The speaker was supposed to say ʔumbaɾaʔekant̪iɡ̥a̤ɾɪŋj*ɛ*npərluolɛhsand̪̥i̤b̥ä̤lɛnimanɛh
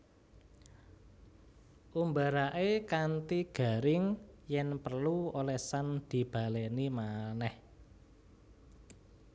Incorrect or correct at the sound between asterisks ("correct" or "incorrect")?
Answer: correct